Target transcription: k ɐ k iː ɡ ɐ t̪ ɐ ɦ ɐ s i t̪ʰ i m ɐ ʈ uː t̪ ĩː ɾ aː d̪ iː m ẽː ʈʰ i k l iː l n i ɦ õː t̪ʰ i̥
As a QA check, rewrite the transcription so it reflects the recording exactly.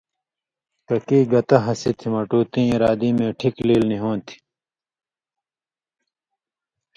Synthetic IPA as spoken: k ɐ k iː ɡ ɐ t̪ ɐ ɦ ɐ s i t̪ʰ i m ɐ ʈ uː t̪ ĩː ɾ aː d̪ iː m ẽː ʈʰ i k l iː l n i ɦ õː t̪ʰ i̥